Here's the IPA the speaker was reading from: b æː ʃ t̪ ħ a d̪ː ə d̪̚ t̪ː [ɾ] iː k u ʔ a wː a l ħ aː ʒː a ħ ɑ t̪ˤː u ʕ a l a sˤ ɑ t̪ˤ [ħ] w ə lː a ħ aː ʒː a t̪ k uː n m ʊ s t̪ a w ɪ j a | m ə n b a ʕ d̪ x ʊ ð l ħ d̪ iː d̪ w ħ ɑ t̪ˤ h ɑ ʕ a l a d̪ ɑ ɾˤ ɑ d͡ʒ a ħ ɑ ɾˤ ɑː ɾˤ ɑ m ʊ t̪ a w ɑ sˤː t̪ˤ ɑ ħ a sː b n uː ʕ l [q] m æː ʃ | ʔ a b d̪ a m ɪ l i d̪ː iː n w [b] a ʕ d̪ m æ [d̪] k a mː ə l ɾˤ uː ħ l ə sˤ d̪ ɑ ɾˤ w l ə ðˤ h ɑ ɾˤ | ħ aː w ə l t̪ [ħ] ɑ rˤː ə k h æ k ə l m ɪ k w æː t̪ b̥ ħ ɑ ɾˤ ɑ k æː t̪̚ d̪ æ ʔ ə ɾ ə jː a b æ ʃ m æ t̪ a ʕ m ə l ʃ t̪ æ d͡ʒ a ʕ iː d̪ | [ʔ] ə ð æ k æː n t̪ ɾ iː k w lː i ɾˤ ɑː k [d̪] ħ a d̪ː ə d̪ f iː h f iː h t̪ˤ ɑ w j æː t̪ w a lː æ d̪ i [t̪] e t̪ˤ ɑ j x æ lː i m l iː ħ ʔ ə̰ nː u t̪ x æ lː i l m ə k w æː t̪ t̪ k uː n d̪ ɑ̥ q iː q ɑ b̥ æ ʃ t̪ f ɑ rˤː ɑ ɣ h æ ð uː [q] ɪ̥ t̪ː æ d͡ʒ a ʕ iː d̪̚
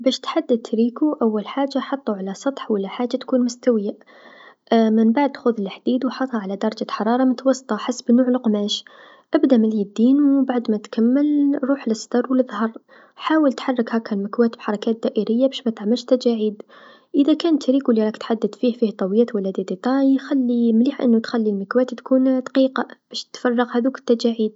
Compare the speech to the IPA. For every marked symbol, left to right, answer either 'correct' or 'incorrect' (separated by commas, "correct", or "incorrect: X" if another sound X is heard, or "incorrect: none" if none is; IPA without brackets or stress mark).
correct, correct, correct, correct, incorrect: t̪, correct, correct, incorrect: t̪, incorrect: d̪, incorrect: k